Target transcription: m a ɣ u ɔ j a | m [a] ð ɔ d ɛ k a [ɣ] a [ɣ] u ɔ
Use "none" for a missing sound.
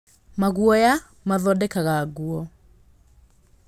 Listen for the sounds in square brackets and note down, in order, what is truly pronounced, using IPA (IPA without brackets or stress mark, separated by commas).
a, ɣ, ɣ